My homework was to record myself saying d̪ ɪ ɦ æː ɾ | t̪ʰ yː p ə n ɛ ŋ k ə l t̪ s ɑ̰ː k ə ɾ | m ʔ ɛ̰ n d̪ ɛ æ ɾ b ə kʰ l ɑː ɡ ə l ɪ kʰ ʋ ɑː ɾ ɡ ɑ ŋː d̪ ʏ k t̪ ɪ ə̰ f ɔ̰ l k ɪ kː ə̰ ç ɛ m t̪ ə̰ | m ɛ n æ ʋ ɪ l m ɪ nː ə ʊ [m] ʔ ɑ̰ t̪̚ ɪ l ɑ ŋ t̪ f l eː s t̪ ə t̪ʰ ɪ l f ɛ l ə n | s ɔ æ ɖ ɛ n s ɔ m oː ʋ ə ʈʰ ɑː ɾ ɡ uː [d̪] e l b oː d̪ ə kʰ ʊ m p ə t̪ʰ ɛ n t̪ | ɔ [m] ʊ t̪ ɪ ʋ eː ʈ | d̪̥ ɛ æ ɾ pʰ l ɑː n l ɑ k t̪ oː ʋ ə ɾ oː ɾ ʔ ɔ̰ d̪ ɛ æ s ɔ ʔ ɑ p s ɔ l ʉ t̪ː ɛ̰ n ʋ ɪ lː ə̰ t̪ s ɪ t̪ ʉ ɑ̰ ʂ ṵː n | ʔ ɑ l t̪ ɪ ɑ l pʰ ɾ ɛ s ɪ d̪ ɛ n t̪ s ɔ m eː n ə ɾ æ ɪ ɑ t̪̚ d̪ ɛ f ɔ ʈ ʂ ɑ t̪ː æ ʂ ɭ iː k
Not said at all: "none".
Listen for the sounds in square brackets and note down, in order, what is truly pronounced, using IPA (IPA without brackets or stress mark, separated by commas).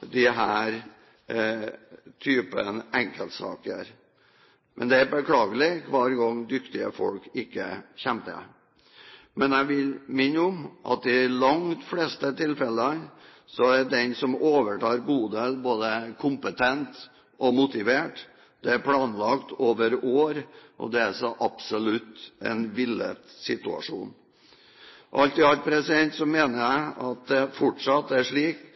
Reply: m, d̪, m